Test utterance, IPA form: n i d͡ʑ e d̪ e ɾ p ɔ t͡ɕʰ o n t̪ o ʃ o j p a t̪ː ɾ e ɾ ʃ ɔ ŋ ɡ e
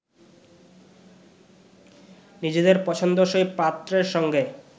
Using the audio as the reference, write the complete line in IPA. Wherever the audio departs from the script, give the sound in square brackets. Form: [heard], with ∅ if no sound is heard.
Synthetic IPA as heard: n i d͡ʑ e d̪ e ɾ p ɔ t͡ɕʰ o n [d̪] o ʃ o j p a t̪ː ɾ e ɾ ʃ ɔ ŋ ɡ e